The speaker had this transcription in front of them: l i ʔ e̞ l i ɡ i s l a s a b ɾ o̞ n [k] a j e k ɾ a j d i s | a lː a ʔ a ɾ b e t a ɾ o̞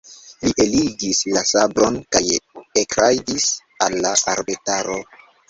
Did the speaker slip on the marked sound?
no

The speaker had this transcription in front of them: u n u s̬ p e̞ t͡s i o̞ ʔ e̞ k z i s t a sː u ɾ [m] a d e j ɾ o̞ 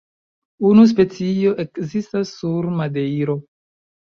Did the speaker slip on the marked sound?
no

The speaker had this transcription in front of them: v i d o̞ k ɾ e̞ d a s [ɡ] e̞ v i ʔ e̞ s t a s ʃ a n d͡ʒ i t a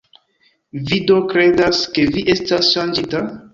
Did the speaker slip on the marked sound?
yes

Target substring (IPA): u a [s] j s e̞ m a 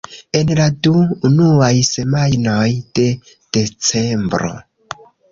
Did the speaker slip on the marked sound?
yes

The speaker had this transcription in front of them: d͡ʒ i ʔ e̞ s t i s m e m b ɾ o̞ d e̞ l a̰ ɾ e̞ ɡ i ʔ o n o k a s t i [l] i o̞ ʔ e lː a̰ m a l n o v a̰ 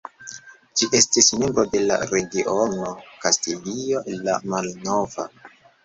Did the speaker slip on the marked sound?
no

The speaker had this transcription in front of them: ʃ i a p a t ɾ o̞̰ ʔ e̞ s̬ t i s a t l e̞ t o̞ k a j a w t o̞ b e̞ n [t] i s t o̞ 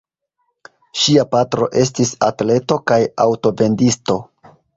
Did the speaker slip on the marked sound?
yes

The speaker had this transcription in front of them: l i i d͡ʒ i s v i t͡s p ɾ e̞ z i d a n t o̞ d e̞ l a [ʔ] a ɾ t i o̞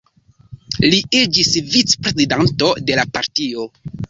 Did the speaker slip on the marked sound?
yes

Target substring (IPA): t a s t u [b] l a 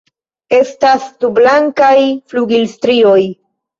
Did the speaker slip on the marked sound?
no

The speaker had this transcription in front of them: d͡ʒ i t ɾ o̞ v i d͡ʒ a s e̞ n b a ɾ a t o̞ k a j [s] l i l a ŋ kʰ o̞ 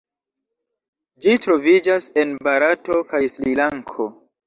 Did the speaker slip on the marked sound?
no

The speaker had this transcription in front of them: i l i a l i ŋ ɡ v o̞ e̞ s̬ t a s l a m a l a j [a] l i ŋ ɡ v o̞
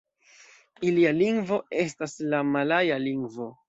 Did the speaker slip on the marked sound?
no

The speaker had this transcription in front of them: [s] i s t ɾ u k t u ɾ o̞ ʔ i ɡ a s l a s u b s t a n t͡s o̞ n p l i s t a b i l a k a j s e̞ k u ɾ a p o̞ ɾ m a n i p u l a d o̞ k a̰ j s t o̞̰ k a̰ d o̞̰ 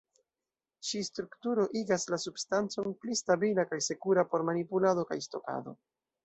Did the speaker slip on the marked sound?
yes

